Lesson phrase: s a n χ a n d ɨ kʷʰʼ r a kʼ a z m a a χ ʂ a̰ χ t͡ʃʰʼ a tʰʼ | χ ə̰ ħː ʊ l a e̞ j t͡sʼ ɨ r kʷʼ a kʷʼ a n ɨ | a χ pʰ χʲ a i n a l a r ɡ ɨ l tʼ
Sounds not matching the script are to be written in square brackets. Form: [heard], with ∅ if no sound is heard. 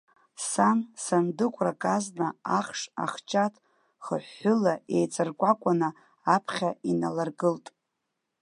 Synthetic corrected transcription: s a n [s] a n d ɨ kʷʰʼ r a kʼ a z [n] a a χ ʂ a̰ χ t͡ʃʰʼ a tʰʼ | χ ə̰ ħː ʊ l a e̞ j t͡sʼ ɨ r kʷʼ a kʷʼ a n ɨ | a [∅] pʰ χʲ a i n a l a r ɡ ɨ l tʼ

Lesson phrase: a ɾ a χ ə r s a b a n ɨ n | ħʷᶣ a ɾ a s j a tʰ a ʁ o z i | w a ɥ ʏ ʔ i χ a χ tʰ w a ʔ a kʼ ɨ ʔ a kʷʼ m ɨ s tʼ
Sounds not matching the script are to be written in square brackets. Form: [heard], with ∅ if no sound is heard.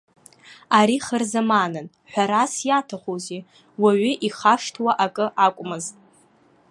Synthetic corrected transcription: a ɾ [i] χ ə r [z] a [m] a n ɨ n | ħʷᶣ a ɾ a s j a tʰ a [χ] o z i | w a ɥ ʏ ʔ i χ a [ʂ] tʰ w a ʔ a kʼ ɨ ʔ a kʷʼ m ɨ [z] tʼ

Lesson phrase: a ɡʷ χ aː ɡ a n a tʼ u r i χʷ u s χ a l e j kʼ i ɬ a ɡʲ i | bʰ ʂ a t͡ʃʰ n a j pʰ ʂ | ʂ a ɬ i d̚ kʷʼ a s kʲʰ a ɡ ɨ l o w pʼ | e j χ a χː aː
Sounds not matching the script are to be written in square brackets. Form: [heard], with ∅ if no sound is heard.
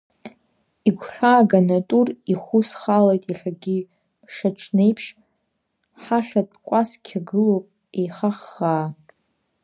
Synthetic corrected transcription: [i] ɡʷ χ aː ɡ a n a tʼ u r i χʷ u s χ a l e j [tʼ] i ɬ a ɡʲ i | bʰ ʂ a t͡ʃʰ n [e] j pʰ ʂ | [ħ] a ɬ [a] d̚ kʷʼ a s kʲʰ a ɡ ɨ l o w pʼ | e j χ a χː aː

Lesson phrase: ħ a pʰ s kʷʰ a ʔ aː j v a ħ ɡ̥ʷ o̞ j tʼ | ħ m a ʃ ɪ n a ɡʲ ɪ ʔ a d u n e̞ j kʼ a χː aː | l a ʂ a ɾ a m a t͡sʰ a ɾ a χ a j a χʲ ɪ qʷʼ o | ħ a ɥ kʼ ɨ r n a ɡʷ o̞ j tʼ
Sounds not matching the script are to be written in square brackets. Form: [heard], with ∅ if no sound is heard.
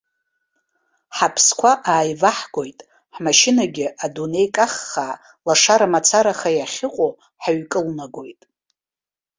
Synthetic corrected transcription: ħ a pʰ s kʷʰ a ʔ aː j v a ħ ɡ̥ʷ o̞ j tʼ | ħ m a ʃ ɪ n a ɡʲ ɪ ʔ a d u n e̞ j kʼ a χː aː | l a ʂ a ɾ a m a t͡sʰ a ɾ a χ a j a χʲ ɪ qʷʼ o | ħ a ɥ kʼ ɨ [l] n a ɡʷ o̞ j tʼ

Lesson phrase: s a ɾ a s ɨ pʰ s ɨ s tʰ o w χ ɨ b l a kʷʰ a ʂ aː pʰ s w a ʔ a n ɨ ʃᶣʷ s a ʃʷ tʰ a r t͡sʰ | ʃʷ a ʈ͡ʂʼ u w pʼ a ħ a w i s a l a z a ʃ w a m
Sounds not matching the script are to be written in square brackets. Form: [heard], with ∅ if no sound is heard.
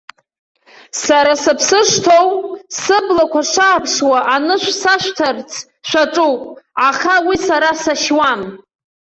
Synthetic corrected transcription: s a ɾ a s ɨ pʰ s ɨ [ʂ] tʰ o w [s] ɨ b l a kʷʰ a ʂ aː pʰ [ʂ] w a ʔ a n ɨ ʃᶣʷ s a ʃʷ tʰ a r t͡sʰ | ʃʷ a ʈ͡ʂʼ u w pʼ a [χ] a w i s a [ɾ] a [s] a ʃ w a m

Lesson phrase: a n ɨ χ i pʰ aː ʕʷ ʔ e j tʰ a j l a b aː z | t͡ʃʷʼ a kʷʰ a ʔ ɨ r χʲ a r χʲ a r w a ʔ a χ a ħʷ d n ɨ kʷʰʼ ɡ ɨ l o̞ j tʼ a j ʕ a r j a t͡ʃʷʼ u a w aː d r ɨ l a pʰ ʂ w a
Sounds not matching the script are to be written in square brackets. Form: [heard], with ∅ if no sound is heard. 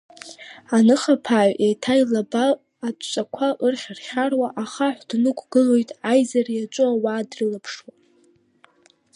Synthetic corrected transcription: a n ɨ χ [a] pʰ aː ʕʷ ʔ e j tʰ a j l a b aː [∅] | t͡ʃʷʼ a kʷʰ a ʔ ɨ r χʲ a r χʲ a r w a ʔ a χ a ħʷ d n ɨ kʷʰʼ ɡ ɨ l o̞ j tʼ a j [z] a r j a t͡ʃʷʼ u a w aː d r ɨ l a pʰ ʂ w a

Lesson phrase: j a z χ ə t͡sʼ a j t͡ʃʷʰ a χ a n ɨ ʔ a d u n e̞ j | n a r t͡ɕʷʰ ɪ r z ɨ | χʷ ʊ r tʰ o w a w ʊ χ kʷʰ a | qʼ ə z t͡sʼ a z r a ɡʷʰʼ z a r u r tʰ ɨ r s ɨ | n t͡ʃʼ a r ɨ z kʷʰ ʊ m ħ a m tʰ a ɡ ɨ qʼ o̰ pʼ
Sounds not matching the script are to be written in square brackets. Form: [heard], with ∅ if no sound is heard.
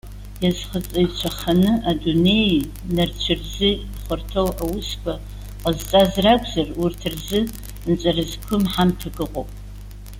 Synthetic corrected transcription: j a z χ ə t͡sʼ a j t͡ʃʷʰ a χ a n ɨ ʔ a d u n e̞ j | n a r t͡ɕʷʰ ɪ r z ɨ | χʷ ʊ r tʰ o w a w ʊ [s] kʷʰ a | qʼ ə z t͡sʼ a z r a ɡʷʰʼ z a r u r tʰ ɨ r [z] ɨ | n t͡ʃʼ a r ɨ z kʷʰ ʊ m ħ a m tʰ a ɡ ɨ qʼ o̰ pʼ

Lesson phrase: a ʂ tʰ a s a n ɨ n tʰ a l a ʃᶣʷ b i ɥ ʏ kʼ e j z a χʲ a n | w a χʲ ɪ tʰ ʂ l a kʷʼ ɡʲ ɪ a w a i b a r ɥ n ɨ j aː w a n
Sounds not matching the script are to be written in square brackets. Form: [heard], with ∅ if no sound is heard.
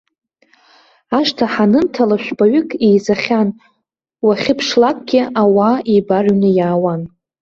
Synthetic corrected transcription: a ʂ tʰ a [ħ] a n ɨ n tʰ a l a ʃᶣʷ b [a] ɥ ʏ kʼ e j z a χʲ a n | w a χʲ ɪ [pʰ] ʂ l a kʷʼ ɡʲ ɪ a w a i b a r ɥ n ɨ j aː w a n

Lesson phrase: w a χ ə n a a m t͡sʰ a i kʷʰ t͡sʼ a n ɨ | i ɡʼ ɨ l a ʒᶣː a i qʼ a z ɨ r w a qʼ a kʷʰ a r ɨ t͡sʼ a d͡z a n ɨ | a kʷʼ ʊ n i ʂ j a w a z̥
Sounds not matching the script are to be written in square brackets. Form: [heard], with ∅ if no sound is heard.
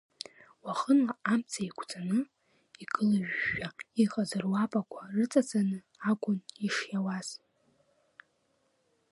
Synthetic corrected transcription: w a χ ə n a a m t͡sʰ a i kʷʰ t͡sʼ a n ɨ | i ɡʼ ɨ l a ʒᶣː a i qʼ a z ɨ r w a [pʼ] a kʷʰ a r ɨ t͡sʼ a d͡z a n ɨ | a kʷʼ ʊ n i ʂ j a w a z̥

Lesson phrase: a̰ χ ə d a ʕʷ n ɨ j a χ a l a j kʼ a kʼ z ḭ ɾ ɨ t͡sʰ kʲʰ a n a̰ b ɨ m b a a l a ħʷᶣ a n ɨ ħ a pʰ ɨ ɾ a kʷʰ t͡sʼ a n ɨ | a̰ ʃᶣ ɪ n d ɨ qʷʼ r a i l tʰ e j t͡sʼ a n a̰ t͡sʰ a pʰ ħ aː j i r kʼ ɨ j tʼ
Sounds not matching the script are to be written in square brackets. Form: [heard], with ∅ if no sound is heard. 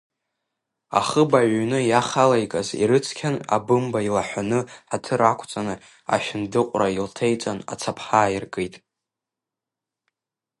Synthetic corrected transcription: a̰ χ ə [b] a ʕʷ n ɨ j a χ a l a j kʼ a [∅] z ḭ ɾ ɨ t͡sʰ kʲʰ a n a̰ b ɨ m b a [i] l a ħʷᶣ a n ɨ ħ a [tʰ] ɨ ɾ a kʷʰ t͡sʼ a n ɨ | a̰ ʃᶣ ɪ n d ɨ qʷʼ r a i l tʰ e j t͡sʼ a n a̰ t͡sʰ a pʰ ħ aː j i r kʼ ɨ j tʼ

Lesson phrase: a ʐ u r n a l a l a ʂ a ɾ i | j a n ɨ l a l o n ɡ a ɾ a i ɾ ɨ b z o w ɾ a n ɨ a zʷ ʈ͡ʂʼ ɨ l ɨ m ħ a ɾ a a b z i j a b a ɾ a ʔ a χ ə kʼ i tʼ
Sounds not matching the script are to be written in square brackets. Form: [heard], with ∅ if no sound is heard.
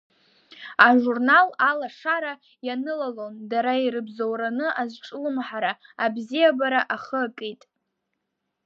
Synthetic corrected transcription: a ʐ u r n a l a l a ʂ a ɾ [a] | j a n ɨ l a l o n [d] a ɾ a i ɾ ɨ b z o w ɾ a n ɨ a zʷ ʈ͡ʂʼ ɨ l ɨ m ħ a ɾ a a b z i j a b a ɾ a ʔ a χ ə kʼ i tʼ

